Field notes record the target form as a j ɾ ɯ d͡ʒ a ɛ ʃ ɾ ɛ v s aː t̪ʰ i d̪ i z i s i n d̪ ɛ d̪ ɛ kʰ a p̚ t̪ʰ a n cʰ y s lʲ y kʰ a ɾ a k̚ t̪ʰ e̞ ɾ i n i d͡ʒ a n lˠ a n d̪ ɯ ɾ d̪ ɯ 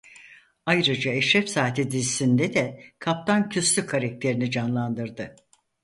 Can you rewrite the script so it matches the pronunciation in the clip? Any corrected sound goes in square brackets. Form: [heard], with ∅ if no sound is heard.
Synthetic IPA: a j ɾ ɯ d͡ʒ a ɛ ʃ ɾ ɛ [f] s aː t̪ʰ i d̪ i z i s i n d̪ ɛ d̪ ɛ kʰ a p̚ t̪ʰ a n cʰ y s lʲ y kʰ a ɾ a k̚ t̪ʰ e̞ ɾ i n i d͡ʒ a n lˠ a n d̪ ɯ ɾ d̪ ɯ